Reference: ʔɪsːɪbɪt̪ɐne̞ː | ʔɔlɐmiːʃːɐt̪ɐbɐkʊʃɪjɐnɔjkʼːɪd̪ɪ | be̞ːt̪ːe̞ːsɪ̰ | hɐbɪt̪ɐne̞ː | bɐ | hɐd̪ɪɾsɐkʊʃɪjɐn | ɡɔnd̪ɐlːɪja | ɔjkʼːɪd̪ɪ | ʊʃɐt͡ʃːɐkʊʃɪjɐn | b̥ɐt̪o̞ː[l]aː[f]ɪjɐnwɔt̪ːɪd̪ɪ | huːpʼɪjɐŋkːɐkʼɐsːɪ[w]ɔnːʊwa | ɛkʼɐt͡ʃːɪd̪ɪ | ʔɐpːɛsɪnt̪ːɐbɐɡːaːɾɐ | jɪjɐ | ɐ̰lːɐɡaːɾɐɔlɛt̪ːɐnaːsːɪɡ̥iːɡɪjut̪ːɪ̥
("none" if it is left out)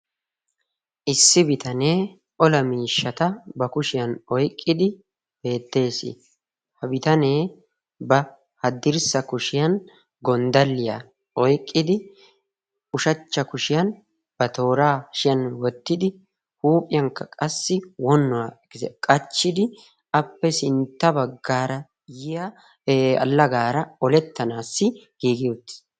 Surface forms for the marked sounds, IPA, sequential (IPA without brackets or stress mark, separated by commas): ɾ, ʃ, w